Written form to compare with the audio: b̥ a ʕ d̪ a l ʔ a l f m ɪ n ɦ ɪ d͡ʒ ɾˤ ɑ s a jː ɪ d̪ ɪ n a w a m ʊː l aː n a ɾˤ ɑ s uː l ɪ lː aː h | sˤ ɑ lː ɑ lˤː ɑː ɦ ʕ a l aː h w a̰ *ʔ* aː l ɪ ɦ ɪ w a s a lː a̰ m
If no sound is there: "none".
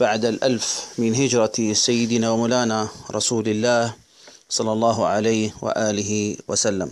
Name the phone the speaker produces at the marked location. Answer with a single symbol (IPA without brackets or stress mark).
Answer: ʔ